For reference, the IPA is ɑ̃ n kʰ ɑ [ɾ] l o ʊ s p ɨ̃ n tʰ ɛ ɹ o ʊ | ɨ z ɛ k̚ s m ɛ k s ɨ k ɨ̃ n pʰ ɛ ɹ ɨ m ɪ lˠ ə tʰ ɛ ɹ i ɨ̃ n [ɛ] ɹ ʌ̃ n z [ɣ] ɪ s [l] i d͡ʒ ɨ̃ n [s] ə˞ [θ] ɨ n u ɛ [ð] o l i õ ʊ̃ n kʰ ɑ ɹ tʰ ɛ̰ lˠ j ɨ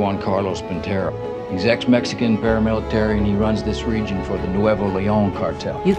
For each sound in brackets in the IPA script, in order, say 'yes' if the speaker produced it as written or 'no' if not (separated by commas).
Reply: no, no, no, no, no, no, no